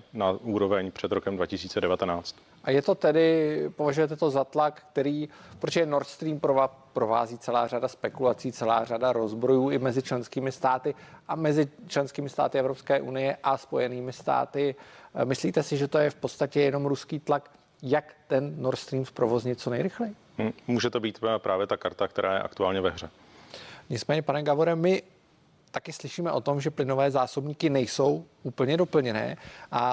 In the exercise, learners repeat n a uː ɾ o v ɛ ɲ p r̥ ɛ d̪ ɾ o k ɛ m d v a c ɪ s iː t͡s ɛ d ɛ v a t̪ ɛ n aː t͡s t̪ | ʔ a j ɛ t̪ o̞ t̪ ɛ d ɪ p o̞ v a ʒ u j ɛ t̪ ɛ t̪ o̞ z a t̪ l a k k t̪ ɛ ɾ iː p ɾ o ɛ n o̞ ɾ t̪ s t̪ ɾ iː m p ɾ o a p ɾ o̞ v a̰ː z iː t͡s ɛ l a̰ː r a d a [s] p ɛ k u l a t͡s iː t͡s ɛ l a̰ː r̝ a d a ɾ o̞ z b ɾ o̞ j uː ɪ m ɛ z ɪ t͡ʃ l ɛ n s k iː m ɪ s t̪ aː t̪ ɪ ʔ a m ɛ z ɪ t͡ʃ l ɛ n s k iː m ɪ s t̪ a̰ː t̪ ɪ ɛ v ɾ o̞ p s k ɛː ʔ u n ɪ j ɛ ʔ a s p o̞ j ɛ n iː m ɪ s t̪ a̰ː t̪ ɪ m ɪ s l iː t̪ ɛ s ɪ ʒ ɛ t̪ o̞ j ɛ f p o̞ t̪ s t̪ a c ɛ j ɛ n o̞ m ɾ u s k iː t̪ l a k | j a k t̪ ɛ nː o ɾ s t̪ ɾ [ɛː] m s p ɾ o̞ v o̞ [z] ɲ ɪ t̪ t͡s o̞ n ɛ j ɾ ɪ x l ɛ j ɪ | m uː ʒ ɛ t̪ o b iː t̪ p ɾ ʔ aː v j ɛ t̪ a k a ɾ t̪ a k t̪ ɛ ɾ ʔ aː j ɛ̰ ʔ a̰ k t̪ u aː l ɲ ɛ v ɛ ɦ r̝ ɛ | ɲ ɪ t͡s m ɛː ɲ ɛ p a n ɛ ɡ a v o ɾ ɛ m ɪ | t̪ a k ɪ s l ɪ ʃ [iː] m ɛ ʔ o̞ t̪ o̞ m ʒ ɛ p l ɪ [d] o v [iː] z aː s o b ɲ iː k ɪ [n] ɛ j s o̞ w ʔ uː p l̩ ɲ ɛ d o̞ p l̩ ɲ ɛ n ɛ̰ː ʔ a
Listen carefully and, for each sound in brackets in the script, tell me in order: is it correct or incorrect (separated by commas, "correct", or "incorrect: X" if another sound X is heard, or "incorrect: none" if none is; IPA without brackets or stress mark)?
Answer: correct, incorrect: iː, correct, correct, incorrect: n, incorrect: ɛː, correct